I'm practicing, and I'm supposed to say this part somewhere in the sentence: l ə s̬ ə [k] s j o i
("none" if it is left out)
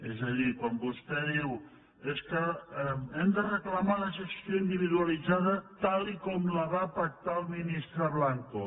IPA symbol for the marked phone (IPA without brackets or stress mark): k